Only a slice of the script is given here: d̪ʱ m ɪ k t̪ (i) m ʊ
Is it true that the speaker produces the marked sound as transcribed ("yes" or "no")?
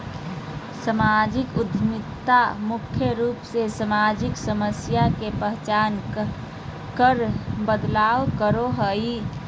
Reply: no